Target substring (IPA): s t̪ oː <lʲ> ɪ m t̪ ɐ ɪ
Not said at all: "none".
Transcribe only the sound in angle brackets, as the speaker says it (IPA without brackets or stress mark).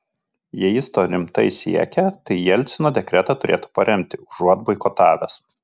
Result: ɾʲ